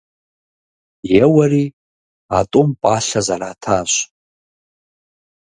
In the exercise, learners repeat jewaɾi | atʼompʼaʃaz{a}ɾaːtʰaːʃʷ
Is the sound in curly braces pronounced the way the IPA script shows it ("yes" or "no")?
yes